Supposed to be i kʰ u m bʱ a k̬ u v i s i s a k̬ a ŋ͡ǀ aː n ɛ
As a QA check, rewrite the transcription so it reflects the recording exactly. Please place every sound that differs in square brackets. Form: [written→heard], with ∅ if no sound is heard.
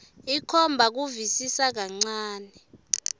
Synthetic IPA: i kʰ [u→ɔ] m bʱ a k̬ u v i s i s a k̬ a ŋ͡ǀ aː n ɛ